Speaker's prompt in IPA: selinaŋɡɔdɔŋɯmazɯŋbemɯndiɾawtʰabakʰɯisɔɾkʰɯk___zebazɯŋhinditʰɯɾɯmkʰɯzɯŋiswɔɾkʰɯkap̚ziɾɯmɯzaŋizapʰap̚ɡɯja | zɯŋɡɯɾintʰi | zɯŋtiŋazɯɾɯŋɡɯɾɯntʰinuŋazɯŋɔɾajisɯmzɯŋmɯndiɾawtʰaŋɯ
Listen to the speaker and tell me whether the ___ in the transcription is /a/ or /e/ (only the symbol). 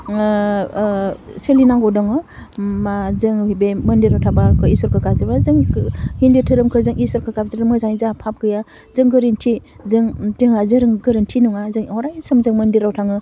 a